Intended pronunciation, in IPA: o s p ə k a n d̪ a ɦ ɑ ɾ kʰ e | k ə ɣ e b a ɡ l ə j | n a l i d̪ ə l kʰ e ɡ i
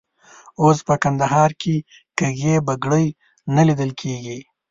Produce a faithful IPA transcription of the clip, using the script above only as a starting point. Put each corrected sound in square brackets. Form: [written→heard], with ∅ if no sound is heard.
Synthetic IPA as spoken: o s p ə k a n d̪ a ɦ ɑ ɾ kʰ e | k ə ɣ e b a ɡ [l→ɽ] ə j | n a l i d̪ ə l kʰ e ɡ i